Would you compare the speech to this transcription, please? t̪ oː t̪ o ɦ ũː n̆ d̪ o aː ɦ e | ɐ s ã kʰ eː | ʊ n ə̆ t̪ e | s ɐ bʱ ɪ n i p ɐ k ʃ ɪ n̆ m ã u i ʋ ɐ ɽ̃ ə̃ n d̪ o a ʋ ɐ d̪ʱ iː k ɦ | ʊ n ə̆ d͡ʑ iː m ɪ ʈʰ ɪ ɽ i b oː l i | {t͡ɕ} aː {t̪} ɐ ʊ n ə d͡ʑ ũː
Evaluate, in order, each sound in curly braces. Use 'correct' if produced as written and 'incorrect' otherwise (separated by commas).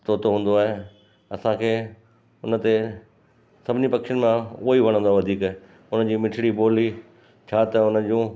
incorrect, correct